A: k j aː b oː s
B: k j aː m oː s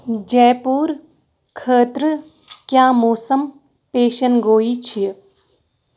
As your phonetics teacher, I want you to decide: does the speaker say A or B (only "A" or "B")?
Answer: B